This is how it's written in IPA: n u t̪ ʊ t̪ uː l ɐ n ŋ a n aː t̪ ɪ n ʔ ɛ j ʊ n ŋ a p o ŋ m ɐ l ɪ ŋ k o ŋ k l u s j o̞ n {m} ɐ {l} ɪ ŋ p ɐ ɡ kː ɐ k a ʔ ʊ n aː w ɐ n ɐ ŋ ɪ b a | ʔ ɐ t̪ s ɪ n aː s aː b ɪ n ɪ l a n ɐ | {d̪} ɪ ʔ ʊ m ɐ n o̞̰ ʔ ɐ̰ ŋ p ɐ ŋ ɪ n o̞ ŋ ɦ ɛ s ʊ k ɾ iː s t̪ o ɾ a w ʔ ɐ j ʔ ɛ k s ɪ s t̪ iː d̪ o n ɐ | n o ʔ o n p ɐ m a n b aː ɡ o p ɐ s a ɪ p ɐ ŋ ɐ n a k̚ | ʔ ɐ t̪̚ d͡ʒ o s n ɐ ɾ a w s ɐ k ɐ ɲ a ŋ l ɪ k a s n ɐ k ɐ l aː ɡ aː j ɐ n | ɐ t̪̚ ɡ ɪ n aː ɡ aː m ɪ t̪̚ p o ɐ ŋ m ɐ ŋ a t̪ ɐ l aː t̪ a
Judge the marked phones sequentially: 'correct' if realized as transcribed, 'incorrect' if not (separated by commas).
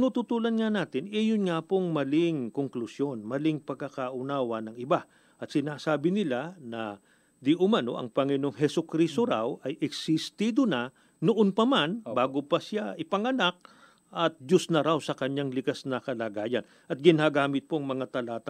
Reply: correct, correct, correct